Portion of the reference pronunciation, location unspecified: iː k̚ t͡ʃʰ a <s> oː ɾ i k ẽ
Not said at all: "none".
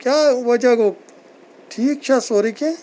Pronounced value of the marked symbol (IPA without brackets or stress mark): s